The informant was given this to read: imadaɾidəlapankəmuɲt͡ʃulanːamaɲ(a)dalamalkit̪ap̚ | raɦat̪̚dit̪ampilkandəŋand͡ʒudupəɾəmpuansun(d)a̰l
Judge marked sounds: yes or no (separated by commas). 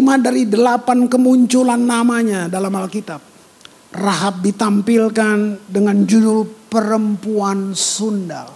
yes, yes